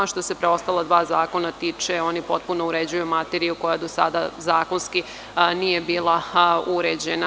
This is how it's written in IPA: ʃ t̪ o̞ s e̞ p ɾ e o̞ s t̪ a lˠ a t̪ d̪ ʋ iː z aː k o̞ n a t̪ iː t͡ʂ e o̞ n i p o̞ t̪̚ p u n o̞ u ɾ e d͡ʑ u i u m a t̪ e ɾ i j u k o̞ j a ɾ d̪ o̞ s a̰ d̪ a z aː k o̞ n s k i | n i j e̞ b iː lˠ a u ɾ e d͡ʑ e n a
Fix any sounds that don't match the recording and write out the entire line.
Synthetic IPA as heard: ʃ t̪ o̞ s e̞ p ɾ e o̞ s t̪ a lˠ a d̪ ʋ aː z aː k o̞ n a t̪ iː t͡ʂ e o̞ n i p o̞ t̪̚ p u n o̞ u ɾ e d͡ʑ u j u m a t̪ e ɾ i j u k o̞ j a d̪ o̞ s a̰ d̪ a z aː k o̞ n s k i | n i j e̞ b iː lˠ a u ɾ e d͡ʑ e n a